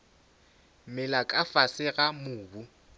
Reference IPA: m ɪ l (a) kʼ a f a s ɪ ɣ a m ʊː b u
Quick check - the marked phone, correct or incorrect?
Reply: correct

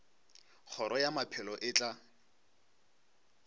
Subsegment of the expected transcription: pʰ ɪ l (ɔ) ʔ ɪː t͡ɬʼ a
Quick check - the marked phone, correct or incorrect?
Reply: correct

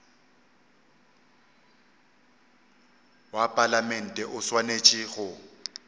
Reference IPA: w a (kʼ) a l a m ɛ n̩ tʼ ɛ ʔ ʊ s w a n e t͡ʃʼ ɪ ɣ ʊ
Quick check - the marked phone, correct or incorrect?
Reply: incorrect: pʼ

